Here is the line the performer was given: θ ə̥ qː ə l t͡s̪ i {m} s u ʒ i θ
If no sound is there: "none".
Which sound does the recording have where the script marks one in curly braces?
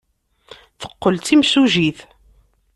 m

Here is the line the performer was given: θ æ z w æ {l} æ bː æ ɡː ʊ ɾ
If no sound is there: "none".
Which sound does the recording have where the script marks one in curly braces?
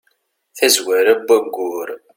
ɾ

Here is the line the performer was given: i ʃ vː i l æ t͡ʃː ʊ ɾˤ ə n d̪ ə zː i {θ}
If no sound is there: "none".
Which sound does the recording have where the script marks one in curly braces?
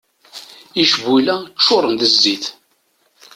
θ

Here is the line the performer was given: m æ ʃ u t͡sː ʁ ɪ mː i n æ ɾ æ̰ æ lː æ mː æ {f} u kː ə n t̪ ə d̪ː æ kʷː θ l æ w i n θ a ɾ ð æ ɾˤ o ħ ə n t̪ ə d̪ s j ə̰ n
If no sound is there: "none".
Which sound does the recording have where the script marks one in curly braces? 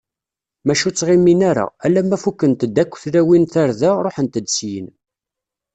f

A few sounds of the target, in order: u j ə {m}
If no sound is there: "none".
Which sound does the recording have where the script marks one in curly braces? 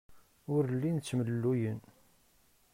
n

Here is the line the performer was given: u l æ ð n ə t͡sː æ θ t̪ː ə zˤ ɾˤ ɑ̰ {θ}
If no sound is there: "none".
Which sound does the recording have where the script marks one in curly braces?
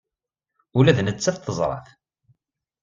θ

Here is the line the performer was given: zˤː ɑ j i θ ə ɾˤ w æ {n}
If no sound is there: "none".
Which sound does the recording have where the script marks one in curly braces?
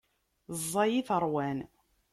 n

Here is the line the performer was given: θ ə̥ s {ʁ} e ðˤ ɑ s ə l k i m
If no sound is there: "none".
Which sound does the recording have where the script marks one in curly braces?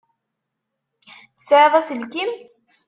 ʕ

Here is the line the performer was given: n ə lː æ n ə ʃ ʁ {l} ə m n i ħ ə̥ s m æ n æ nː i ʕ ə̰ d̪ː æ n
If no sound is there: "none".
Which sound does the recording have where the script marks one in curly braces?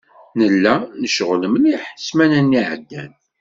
l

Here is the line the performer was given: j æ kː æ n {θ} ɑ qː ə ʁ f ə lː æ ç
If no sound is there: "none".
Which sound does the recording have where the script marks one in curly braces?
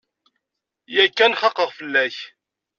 χ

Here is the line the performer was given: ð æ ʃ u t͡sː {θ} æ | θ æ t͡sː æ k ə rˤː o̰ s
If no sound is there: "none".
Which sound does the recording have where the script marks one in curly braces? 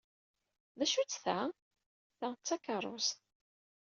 θ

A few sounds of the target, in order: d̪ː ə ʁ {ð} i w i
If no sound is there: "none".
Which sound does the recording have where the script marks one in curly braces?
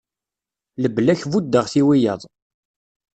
θ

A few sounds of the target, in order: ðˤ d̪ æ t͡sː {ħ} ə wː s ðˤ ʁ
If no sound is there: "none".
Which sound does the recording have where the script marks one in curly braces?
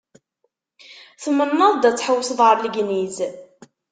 ħ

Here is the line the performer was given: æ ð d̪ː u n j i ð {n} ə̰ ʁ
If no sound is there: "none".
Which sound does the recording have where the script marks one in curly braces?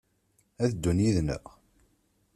n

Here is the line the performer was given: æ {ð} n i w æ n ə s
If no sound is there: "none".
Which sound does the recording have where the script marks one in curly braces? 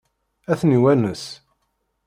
θ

